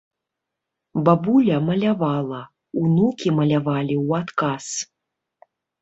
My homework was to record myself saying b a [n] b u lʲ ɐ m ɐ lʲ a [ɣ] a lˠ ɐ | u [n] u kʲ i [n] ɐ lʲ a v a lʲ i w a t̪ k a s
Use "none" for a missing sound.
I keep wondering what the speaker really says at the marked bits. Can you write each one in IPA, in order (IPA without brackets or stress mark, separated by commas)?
none, v, n, m